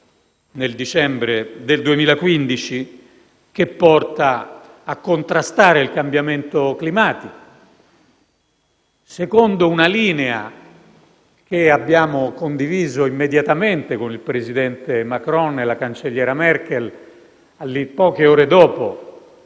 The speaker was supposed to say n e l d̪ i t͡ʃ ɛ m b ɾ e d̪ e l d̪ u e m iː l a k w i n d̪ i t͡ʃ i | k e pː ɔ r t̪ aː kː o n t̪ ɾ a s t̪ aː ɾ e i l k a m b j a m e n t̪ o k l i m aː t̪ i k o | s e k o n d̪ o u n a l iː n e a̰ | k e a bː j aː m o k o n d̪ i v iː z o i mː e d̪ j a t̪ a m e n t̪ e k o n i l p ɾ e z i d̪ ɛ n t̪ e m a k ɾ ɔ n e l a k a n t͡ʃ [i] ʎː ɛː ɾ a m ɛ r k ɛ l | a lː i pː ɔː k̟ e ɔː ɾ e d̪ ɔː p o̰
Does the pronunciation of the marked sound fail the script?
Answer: yes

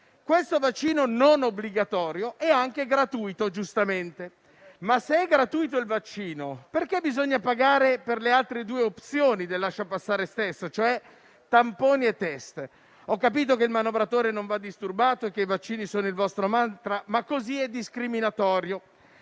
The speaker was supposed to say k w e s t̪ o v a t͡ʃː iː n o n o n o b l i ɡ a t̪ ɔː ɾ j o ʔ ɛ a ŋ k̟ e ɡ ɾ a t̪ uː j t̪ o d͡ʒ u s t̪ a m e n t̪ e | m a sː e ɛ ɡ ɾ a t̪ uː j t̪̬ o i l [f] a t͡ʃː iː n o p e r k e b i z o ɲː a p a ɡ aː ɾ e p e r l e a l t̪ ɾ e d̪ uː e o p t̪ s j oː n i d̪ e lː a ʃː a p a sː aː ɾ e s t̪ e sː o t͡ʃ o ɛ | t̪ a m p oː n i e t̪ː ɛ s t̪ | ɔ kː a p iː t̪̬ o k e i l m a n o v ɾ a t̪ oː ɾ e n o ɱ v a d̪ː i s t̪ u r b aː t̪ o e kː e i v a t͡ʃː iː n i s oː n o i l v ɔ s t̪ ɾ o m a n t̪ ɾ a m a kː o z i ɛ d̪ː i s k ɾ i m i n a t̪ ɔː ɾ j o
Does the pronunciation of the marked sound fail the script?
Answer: yes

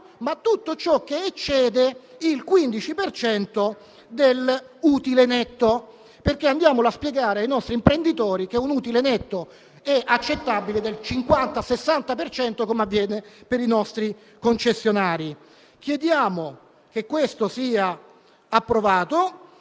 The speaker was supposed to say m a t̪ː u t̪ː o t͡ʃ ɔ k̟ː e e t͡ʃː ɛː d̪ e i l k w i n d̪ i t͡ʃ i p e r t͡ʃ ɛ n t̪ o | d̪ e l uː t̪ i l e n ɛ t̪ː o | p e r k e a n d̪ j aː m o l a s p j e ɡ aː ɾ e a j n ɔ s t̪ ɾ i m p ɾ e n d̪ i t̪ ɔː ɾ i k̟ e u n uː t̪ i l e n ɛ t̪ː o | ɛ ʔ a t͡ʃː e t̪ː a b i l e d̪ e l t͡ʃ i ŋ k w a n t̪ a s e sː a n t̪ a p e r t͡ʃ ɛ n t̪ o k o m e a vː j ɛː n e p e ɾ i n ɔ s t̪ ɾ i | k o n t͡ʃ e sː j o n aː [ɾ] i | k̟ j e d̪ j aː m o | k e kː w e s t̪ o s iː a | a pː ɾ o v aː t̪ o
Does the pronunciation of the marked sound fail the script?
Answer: no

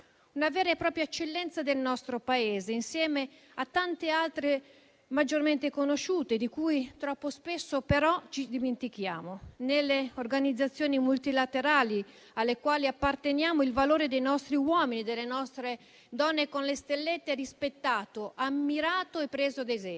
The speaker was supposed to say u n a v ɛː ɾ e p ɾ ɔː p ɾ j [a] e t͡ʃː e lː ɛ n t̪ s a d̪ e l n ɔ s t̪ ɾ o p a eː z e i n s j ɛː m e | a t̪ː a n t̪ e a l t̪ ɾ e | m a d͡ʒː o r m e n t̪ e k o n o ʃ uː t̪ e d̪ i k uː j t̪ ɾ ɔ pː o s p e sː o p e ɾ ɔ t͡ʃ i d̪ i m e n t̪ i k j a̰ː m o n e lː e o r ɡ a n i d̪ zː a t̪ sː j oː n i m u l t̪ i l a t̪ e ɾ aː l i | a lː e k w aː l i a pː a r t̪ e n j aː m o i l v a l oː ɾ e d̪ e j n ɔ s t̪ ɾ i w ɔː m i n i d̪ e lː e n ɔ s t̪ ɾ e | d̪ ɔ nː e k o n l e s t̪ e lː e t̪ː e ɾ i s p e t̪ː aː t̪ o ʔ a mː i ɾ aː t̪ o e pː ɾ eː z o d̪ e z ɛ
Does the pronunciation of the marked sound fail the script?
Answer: no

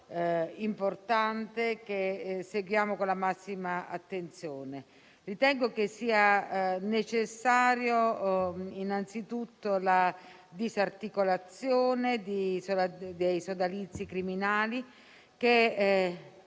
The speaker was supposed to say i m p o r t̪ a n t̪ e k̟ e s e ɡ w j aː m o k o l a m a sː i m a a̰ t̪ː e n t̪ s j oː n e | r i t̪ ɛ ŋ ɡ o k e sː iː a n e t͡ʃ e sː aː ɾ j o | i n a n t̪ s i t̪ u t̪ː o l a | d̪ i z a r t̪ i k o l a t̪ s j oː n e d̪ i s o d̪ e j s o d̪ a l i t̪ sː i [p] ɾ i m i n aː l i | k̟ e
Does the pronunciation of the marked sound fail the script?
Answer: yes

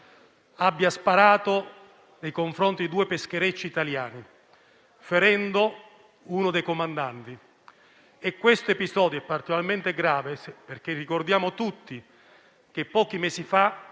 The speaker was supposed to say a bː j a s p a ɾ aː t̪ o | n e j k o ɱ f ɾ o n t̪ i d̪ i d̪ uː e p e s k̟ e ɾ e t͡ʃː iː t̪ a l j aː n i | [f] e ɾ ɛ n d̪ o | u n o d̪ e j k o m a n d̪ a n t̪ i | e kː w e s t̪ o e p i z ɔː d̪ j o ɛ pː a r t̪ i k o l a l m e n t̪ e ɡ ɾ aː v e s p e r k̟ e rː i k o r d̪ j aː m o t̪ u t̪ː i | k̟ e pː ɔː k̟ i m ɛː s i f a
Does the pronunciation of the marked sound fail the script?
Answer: no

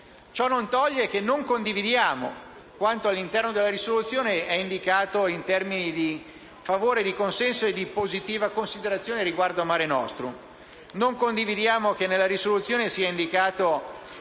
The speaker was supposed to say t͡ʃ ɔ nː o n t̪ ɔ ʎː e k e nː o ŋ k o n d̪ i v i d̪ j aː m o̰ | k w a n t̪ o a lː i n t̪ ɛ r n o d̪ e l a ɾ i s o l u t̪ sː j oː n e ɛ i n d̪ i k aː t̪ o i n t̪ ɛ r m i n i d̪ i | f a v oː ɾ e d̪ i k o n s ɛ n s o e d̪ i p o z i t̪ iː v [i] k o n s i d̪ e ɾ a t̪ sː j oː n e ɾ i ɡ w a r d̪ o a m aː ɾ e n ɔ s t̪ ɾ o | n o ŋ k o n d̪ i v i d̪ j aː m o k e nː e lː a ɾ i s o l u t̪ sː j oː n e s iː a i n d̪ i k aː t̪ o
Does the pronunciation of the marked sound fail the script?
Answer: yes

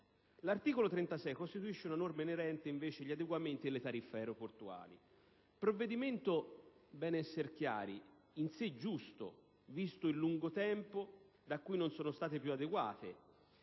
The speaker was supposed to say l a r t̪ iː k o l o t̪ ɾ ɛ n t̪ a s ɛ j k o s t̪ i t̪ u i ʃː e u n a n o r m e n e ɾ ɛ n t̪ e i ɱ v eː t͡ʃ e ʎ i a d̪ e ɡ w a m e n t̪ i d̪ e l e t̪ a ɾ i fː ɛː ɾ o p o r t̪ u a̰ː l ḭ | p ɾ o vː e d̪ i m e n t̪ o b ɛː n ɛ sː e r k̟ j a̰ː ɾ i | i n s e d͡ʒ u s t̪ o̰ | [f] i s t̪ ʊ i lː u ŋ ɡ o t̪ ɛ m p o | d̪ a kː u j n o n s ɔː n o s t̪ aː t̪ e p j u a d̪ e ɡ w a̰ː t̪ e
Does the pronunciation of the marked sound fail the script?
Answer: yes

